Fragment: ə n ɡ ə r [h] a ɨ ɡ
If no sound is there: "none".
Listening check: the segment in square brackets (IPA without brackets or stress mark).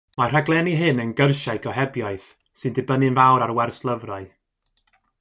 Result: ʃ